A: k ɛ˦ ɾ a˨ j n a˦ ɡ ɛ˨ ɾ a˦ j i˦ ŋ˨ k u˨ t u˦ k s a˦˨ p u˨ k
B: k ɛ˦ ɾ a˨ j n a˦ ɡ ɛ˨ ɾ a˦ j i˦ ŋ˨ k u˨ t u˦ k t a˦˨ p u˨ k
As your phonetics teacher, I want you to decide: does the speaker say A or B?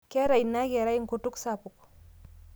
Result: A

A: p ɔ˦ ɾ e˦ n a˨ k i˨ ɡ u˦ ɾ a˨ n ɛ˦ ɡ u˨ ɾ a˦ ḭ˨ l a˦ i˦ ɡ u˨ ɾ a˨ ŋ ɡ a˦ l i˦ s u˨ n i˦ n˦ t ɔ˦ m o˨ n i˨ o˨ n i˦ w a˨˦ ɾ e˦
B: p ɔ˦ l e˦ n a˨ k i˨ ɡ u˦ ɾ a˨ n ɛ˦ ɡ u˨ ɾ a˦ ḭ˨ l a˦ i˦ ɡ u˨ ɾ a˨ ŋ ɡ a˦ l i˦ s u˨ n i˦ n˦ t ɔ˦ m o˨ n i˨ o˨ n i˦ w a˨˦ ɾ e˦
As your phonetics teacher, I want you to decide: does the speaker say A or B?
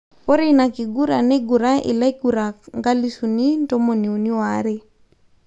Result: A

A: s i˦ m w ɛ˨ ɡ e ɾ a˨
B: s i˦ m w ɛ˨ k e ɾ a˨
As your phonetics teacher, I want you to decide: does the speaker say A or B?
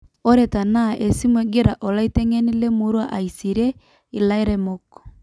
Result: A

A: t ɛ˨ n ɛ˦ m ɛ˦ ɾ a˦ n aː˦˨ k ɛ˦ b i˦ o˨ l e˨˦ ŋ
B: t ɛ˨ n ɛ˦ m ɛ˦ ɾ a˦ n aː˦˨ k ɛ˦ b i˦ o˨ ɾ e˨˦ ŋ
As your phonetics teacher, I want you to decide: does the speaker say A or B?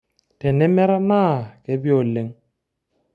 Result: A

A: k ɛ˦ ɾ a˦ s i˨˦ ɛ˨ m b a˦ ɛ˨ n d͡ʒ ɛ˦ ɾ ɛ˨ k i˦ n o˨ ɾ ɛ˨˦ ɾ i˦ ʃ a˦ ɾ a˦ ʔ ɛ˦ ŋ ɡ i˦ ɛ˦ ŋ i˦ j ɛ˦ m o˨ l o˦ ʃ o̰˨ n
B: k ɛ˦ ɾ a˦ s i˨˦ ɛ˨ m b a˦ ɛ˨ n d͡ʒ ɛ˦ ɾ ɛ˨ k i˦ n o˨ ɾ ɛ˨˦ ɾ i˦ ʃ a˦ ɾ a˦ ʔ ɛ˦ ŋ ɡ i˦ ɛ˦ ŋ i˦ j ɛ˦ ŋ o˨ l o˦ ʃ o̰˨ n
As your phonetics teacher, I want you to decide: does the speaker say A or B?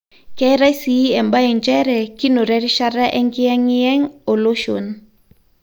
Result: B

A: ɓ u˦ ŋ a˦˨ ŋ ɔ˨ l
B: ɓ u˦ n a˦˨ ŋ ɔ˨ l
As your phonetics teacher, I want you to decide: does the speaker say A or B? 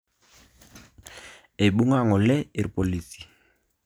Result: A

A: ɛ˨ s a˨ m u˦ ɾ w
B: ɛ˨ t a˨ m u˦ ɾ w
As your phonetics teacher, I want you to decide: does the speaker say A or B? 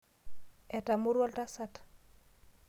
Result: B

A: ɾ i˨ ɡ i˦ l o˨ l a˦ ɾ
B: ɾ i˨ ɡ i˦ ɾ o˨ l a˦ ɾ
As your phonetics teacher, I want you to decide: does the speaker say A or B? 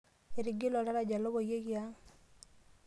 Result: A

